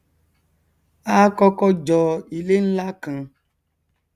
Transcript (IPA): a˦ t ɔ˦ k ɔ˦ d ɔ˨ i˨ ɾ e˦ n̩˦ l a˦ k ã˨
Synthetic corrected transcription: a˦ k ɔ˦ k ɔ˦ d͡ʒ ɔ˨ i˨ l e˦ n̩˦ l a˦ k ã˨

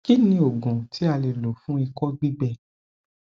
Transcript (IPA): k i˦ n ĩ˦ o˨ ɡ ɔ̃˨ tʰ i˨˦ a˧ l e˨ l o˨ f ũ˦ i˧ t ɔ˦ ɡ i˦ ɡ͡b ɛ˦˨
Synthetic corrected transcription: k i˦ n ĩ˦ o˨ ɡ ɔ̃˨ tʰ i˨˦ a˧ l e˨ l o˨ f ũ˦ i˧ k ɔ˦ ɡ͡b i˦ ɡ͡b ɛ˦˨

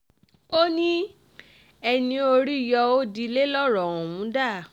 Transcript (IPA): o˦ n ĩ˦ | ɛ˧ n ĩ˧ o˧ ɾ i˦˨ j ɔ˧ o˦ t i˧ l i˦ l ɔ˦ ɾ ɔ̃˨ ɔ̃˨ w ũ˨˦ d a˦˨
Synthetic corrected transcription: o˦ n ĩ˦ | ɛ˧ n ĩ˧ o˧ ɾ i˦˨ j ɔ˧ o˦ d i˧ l e˦ l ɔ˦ ɾ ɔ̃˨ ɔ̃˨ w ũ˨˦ d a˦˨

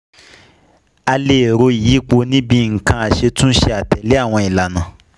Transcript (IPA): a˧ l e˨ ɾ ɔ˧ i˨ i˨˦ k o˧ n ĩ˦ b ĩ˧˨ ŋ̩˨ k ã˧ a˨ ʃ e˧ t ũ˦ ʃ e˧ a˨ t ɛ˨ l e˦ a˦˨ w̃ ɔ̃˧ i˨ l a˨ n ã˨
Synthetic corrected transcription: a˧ l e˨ ɾ o˧ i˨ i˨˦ k͡p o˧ n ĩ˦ b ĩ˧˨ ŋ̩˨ k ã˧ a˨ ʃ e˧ t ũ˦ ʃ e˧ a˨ t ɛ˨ l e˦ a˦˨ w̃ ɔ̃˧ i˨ l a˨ n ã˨

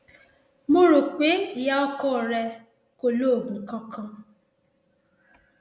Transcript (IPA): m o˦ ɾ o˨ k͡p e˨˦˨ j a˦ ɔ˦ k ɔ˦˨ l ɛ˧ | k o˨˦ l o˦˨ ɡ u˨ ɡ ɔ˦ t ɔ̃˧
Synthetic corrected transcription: m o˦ ɾ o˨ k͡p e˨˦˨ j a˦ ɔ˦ k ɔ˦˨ ɾ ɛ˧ | k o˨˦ l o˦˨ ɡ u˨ k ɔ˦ k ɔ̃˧

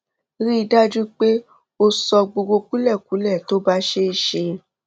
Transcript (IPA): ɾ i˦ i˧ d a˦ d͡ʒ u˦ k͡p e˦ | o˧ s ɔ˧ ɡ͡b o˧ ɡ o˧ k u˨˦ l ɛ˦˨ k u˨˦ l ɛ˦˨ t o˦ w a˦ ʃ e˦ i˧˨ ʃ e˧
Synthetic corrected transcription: ɾ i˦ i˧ d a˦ d͡ʒ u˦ k͡p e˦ | o˧ s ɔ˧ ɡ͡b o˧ ɡ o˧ k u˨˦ l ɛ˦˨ k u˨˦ l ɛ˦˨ t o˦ b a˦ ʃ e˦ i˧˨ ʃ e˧

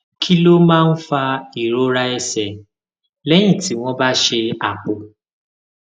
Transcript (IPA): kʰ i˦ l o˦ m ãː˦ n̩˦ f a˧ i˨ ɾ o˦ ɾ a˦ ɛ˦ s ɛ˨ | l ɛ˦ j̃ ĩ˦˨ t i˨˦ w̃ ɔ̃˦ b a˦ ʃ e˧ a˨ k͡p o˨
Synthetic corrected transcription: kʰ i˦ l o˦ m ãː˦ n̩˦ f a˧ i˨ ɾ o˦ ɾ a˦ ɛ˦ s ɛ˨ | l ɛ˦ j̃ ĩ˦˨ t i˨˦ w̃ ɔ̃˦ b a˦ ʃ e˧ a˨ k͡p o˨

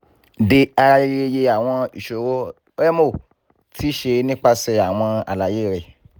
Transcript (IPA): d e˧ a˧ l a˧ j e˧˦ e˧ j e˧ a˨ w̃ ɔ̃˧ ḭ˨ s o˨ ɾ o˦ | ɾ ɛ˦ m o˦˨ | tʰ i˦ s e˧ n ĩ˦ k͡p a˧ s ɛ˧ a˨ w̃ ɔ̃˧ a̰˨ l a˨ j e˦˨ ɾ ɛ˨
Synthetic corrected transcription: d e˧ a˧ ɾ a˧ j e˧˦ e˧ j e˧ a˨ w̃ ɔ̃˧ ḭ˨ ʃ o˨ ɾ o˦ | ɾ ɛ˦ m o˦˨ | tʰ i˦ ʃ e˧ n ĩ˦ k͡p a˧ s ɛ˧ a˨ w̃ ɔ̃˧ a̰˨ l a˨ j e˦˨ ɾ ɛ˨

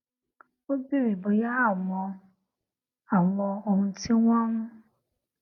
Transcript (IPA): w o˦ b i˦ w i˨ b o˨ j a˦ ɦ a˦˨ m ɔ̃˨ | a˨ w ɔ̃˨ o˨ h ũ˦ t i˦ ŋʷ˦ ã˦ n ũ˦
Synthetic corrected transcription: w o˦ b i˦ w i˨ b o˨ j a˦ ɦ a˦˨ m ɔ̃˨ | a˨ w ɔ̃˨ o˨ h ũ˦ t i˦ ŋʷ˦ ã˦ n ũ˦

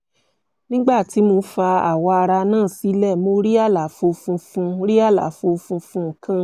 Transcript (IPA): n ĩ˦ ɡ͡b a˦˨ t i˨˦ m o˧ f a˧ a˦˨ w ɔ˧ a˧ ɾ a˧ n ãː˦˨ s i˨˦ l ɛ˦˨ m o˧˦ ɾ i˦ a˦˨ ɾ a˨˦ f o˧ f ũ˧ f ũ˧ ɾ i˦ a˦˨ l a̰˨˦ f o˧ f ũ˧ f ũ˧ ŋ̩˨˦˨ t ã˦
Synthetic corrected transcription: n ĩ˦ ɡ͡b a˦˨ t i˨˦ m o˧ f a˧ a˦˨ w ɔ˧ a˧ ɾ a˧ n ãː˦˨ s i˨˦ l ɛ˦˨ m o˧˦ ɾ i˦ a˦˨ l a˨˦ f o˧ f ũ˧ f ũ˧ ɾ i˦ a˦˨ l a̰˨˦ f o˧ f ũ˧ f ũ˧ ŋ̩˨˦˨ k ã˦

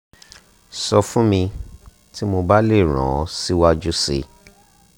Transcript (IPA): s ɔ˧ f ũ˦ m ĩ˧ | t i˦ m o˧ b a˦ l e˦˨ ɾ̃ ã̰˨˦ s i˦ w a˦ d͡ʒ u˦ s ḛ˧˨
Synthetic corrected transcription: s ɔ˧ f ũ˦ m ĩ˧ | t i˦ m o˧ b a˦ l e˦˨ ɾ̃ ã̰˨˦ s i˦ w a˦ d͡ʒ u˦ s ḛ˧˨

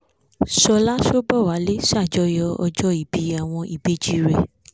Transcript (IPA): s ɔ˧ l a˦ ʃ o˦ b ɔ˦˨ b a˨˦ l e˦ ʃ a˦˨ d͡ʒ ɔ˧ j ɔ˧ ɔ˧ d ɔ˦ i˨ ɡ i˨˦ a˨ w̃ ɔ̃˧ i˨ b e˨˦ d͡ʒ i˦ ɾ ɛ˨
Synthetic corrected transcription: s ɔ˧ l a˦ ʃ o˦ b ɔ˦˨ w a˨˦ l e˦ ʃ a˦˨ d͡ʒ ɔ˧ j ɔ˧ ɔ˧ d͡ʒ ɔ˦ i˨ b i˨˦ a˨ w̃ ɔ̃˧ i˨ b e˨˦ d͡ʒ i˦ ɾ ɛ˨

